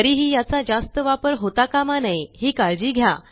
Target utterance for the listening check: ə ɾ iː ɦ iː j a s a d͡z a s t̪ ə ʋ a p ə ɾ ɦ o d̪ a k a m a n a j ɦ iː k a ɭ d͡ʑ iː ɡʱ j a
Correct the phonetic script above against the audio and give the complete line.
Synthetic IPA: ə ɾ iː ɦ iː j a t͡s a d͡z a s t̪ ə ʋ a p ə ɾ ɦ o t̪ a k a m a n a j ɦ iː k a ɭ d͡ʑ iː ɡʱ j a